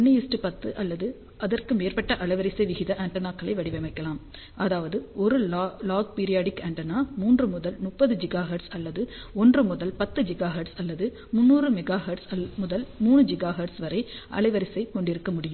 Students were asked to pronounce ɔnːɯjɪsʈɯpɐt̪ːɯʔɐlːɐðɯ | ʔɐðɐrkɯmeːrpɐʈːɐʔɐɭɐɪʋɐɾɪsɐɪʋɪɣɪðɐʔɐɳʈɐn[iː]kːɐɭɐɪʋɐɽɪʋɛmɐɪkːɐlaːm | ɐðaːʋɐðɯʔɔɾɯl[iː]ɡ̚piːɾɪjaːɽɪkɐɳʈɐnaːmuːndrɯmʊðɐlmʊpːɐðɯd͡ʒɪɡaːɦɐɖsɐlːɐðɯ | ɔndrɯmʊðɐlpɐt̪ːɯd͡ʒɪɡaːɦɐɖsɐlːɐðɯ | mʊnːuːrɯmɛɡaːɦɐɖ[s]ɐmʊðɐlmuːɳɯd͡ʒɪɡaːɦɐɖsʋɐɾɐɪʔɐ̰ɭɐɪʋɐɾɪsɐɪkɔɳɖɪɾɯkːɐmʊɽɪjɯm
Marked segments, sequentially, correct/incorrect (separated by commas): incorrect, incorrect, correct